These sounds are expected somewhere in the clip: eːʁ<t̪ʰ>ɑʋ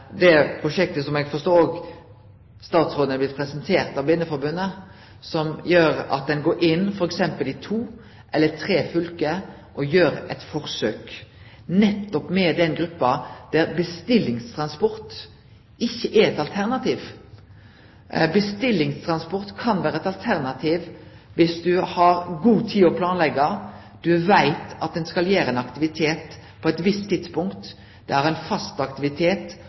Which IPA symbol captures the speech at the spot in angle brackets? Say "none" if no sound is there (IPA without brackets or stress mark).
t̪